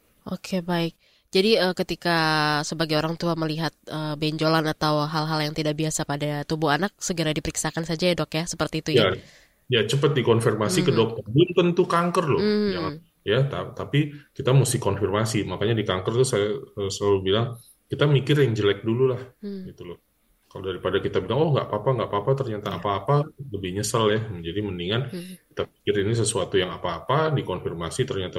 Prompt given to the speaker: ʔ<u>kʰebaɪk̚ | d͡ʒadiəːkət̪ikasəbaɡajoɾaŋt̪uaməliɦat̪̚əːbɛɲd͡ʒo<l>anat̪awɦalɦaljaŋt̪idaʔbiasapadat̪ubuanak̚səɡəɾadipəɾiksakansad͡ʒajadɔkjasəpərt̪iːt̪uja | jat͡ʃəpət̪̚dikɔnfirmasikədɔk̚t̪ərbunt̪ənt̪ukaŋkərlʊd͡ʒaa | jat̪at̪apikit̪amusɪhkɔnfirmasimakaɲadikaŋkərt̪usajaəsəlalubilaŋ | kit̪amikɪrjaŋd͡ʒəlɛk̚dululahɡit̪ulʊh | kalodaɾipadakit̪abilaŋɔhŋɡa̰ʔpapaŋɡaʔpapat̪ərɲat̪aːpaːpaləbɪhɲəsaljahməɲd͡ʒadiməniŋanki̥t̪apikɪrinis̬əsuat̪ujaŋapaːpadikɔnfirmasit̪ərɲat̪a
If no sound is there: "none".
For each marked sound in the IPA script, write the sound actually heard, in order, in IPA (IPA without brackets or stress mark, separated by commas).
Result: o, l